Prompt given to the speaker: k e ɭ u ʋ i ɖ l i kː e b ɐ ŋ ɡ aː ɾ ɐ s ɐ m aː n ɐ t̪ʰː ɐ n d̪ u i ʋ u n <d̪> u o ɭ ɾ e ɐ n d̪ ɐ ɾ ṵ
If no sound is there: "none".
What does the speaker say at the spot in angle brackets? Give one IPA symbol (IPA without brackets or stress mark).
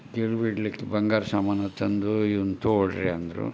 t̪